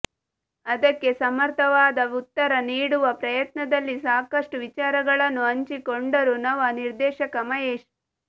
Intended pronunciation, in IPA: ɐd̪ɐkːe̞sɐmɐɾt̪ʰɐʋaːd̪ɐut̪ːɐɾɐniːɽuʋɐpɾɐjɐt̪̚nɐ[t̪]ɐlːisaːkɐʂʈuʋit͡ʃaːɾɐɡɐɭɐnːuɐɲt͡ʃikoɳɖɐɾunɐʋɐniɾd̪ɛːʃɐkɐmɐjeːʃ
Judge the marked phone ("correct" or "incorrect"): incorrect